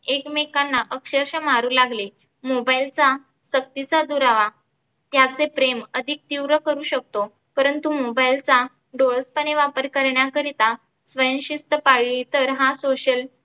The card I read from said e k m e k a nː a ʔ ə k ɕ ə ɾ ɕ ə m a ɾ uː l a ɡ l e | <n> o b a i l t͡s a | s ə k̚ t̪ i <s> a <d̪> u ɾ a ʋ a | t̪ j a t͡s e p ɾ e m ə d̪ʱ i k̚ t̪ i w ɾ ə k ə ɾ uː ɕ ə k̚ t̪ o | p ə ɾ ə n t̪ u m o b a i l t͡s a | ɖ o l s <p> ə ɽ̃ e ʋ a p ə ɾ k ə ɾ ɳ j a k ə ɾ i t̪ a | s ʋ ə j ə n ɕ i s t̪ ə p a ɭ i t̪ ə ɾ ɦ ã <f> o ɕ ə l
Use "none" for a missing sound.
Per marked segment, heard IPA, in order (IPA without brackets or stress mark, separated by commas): m, t͡s, d̪, p, s